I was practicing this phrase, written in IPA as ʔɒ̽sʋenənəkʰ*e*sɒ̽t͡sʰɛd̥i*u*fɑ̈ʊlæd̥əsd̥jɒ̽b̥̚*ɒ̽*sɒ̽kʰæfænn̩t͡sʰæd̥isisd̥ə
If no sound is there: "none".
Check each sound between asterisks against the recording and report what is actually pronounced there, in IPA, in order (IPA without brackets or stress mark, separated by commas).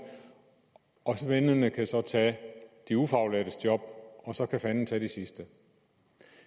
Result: æ, u, ɒ̽